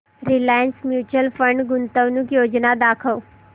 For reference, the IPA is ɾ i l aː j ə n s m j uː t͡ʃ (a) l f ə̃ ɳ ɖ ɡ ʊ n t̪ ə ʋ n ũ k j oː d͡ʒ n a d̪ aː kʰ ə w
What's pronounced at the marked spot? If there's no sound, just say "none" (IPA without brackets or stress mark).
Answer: ə